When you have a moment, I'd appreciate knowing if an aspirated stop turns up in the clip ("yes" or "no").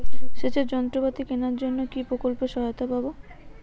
no